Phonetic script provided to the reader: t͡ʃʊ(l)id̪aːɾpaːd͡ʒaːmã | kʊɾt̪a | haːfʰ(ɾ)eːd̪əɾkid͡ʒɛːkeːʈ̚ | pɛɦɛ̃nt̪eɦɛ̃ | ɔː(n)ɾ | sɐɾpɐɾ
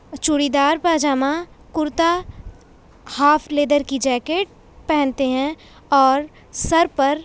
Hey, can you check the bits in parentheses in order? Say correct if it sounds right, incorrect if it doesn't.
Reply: incorrect: ɽ, incorrect: l, incorrect: none

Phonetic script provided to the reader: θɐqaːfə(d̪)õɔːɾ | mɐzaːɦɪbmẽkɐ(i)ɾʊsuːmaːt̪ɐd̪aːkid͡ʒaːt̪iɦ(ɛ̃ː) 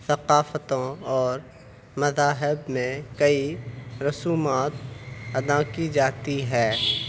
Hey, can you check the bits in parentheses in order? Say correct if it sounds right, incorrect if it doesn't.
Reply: incorrect: t̪, correct, incorrect: ɛː

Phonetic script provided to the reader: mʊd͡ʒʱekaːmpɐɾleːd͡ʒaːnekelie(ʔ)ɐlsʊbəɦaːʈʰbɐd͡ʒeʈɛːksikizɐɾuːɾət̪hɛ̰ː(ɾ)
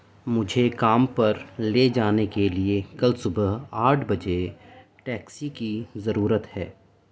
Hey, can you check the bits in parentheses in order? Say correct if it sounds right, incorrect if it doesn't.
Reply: incorrect: k, incorrect: none

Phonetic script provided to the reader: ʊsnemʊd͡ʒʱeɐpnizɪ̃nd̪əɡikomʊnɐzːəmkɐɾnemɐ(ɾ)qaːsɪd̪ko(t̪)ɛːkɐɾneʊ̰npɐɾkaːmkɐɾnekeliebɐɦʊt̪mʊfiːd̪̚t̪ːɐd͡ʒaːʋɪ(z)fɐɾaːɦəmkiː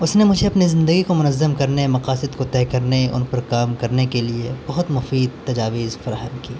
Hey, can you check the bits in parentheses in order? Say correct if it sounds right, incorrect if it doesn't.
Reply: incorrect: none, correct, correct

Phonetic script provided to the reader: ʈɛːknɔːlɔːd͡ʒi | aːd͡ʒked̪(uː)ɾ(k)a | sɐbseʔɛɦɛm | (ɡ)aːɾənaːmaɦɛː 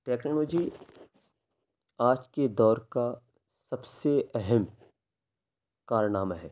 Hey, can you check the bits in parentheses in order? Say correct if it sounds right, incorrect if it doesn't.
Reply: incorrect: ɔː, correct, incorrect: k

